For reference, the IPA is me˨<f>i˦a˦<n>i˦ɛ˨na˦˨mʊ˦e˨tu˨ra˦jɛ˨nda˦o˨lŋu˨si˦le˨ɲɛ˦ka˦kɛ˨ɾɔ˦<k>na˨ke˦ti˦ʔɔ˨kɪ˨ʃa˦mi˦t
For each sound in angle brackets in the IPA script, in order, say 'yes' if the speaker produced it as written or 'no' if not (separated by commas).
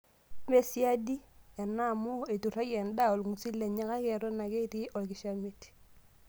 no, no, no